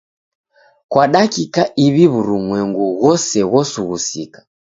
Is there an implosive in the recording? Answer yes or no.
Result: yes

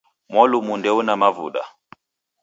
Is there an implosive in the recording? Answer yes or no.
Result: yes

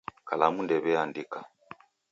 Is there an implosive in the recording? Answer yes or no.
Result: no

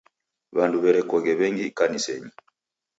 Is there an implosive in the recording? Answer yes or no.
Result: no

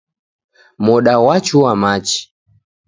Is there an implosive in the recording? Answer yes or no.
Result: yes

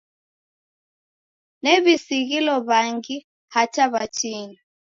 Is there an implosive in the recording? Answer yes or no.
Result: no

